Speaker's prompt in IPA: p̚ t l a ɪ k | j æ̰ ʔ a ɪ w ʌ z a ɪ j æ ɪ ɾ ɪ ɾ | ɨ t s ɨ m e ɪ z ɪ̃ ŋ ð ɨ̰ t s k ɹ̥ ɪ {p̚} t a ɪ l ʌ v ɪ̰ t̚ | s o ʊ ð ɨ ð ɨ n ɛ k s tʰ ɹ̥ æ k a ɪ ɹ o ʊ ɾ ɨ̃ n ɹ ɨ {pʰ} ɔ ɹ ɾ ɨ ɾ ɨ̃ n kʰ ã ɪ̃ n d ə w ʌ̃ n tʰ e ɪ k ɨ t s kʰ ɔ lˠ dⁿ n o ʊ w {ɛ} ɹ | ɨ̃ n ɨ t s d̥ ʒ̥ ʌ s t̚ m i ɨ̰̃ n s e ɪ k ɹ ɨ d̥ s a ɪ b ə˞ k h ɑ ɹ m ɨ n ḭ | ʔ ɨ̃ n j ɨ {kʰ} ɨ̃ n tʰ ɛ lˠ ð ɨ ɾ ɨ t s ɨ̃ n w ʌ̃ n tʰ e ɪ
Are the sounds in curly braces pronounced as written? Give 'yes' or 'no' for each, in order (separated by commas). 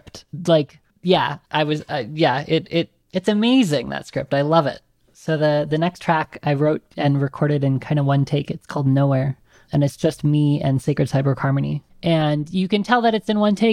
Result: yes, no, yes, no